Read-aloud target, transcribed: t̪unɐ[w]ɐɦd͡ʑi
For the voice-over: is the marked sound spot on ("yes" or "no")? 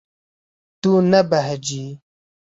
no